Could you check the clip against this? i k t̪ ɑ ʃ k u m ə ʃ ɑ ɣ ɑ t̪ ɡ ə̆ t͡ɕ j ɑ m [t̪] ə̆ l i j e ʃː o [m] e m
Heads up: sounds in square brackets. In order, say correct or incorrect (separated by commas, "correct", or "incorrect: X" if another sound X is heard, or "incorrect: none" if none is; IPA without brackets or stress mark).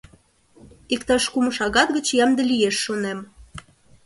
incorrect: d̪, incorrect: n